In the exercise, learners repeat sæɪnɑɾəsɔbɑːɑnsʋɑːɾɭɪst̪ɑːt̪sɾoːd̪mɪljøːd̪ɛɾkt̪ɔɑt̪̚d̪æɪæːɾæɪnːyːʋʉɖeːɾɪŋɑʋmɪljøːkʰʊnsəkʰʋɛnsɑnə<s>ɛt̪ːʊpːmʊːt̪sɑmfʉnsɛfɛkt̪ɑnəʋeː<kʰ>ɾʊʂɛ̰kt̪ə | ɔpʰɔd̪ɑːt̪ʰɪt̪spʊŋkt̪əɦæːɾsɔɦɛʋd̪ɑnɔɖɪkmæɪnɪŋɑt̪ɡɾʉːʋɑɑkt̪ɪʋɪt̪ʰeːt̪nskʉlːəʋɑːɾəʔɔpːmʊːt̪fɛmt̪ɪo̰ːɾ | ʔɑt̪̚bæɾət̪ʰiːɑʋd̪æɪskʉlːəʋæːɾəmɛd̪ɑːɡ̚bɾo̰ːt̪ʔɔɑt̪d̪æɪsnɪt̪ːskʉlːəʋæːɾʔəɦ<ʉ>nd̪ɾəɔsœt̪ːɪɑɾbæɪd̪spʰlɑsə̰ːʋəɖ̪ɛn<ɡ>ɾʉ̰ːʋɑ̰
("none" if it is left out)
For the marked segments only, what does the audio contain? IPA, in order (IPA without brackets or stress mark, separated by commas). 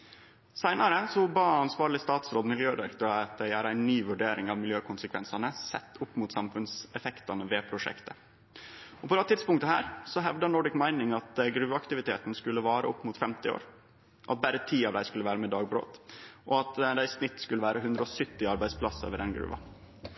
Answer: s, pʰ, ʉ, ɡ